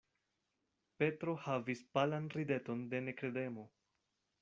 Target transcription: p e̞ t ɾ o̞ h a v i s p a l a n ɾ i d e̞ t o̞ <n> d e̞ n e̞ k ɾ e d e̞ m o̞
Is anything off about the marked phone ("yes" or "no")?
no